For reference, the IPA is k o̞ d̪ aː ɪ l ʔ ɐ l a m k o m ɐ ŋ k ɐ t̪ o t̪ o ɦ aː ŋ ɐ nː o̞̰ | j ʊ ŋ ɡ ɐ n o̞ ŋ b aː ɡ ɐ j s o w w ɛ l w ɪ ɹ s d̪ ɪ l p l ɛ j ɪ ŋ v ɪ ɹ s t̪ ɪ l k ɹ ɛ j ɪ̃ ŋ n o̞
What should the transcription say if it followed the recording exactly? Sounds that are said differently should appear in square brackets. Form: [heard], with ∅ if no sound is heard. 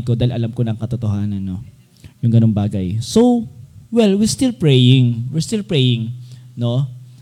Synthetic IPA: k o̞ d̪ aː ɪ l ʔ ɐ l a m k o [n] ɐ ŋ k ɐ t̪ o t̪ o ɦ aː [n] ɐ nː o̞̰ | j ʊ ŋ ɡ ɐ n o̞ ŋ b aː ɡ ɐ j s o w w ɛ l w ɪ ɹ s [t̪] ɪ l p [ɹ] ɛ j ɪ ŋ [w] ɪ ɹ s t̪ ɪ l [p] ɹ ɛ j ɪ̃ ŋ n o̞